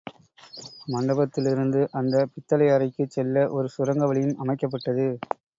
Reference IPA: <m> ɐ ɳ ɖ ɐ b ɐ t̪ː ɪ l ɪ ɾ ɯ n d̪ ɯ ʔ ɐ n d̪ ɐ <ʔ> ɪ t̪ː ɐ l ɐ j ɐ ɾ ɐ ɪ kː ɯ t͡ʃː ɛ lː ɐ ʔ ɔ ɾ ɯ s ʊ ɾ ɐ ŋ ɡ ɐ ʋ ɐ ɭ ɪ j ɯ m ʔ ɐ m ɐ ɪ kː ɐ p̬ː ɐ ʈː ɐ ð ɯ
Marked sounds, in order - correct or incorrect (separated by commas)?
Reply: correct, incorrect